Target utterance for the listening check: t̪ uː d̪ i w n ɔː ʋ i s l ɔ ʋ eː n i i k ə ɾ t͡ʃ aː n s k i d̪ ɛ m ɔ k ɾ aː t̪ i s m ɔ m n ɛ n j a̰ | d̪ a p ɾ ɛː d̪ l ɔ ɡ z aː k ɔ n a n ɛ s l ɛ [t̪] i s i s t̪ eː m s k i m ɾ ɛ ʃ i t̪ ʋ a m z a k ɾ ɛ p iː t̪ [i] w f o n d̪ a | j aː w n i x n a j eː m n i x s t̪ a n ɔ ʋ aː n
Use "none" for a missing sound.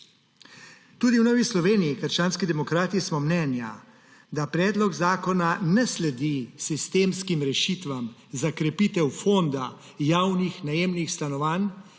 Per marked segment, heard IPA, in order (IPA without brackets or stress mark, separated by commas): d̪, ɛ